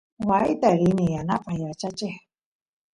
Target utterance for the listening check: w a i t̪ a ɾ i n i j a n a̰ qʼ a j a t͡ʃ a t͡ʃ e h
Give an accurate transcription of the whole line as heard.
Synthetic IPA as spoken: w a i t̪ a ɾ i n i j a n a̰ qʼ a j a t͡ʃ a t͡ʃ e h